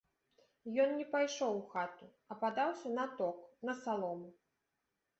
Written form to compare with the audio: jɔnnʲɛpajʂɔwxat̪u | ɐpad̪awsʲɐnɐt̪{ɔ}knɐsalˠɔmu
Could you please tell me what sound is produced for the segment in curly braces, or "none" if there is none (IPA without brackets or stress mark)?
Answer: ɔ